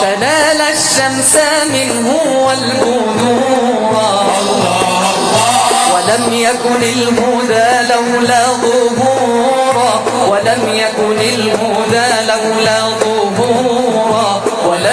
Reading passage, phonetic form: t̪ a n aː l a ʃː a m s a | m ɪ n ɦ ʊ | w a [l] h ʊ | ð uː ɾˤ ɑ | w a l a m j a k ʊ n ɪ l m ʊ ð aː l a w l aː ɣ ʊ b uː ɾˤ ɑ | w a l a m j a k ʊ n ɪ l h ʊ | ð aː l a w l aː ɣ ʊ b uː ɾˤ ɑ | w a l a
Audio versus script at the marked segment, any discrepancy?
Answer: no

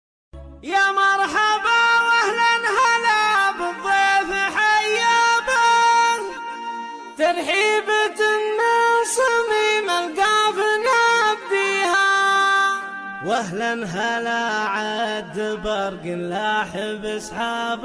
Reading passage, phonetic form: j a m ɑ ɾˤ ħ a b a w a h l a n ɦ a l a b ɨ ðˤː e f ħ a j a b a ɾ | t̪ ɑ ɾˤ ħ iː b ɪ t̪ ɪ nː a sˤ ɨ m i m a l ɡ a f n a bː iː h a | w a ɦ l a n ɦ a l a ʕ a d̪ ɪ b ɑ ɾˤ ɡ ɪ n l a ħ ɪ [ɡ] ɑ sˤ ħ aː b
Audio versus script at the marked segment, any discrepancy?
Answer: yes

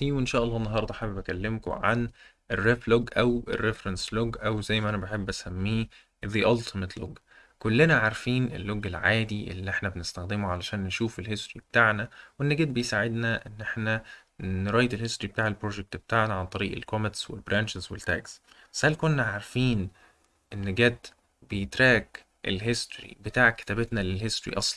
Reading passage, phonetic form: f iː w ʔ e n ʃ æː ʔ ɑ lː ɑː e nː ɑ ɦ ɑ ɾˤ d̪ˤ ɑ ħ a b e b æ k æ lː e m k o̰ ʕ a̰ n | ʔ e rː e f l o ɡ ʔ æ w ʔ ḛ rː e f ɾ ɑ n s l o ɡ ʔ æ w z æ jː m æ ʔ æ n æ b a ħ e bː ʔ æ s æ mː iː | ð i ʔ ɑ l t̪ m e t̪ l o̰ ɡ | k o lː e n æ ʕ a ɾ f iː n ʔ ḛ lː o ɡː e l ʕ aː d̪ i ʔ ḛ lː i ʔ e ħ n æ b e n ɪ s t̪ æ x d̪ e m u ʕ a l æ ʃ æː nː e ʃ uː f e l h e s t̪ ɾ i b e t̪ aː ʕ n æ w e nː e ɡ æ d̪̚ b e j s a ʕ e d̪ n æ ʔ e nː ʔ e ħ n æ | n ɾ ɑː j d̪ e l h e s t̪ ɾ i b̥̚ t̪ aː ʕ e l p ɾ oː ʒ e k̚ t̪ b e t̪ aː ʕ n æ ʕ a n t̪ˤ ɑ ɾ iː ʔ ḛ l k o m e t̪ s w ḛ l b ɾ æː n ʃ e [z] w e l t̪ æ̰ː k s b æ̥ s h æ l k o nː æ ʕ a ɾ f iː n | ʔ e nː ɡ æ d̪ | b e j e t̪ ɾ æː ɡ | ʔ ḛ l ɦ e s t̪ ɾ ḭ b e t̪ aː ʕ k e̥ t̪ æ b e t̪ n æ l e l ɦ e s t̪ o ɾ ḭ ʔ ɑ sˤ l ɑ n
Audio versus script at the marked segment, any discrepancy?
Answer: no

